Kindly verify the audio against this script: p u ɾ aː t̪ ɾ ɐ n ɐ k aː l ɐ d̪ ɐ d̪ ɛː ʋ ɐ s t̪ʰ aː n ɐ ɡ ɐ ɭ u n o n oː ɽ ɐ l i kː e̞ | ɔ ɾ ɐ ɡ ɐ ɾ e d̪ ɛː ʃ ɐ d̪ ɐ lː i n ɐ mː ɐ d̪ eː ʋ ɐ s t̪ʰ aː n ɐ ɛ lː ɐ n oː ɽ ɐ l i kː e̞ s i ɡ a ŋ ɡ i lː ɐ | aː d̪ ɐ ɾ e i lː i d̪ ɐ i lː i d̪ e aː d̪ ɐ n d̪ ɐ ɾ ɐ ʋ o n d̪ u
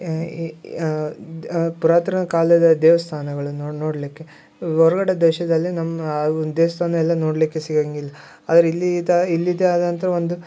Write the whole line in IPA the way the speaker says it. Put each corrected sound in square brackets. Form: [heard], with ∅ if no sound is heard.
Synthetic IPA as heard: p u ɾ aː t̪ ɾ ɐ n ɐ k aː l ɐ d̪ ɐ d̪ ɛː ʋ ɐ s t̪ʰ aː n ɐ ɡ ɐ ɭ u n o n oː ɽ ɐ l i kː e̞ | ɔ ɾ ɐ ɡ ɐ [ɽ] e d̪ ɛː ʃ ɐ d̪ ɐ lː i n ɐ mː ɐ d̪ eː ʋ ɐ s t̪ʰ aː n ɐ ɛ lː ɐ n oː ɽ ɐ l i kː e̞ s i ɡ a ŋ ɡ i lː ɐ | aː d̪ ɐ ɾ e i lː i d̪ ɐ i lː i d̪ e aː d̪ ɐ n [t̪] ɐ ɾ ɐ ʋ o n d̪ u